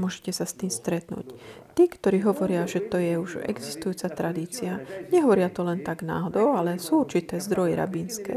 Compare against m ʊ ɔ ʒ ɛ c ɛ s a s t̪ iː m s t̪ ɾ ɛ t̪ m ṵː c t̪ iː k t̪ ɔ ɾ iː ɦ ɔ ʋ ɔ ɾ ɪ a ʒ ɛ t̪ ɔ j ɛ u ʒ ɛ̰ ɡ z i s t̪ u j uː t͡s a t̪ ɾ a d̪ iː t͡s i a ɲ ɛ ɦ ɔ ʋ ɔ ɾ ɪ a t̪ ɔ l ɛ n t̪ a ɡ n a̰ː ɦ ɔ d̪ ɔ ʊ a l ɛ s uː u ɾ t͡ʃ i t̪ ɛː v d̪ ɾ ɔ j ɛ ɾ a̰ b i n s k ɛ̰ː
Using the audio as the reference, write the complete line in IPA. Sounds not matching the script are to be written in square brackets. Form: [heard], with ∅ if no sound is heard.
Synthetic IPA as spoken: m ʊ ɔ ʒ ɛ c ɛ s a s t̪ iː m s t̪ ɾ ɛ t̪ [n] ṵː c t̪ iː k t̪ ɔ ɾ iː ɦ ɔ ʋ ɔ ɾ ɪ a ʒ ɛ t̪ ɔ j ɛ u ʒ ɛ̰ ɡ z i s t̪ u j uː t͡s a t̪ ɾ a d̪ iː t͡s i a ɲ ɛ ɦ ɔ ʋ ɔ ɾ ɪ a t̪ ɔ l ɛ n t̪ a ɡ n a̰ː ɦ ɔ d̪ ɔ ʊ a l ɛ s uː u ɾ t͡ʃ i t̪ ɛː [z] d̪ ɾ ɔ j ɛ ɾ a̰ b i n s k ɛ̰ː